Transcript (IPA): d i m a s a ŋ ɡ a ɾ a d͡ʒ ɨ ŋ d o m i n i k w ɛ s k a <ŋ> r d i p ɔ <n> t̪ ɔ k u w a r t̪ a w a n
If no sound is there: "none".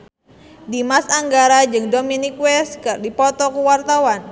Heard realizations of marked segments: none, none

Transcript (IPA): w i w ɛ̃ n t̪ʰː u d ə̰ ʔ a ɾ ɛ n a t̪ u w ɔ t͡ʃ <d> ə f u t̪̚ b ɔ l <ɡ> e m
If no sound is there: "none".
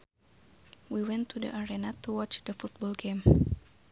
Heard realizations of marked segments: d, ɡ

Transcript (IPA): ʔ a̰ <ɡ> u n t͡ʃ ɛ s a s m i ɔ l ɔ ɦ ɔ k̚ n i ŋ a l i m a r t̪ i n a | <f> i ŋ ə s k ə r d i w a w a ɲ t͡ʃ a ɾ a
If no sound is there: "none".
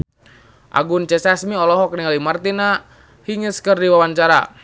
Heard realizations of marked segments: ɡ, h

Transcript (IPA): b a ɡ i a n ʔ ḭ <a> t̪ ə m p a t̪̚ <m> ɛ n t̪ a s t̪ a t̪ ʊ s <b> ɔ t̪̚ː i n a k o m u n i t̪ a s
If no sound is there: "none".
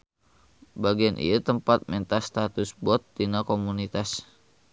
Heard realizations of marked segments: a, m, b

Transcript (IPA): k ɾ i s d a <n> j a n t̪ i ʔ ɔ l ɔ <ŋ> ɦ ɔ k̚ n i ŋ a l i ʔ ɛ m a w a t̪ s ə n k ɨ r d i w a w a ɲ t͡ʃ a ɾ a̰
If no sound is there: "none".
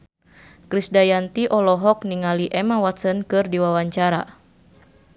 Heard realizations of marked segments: none, none

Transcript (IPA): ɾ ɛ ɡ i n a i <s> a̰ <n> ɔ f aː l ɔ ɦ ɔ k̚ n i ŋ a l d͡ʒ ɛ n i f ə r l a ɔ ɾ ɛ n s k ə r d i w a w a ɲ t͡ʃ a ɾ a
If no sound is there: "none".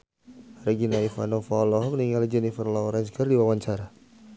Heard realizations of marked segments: f, n

